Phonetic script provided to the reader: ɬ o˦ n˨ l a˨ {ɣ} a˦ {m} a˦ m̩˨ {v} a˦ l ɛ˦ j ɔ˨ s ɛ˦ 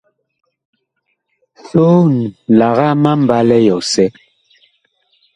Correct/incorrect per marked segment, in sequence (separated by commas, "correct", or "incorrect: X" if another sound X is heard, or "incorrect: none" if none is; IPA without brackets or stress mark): correct, correct, incorrect: b